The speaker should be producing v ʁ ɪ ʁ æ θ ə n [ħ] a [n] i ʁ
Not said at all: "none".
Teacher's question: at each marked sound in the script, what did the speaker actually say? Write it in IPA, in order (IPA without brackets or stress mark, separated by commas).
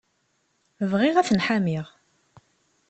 ħ, m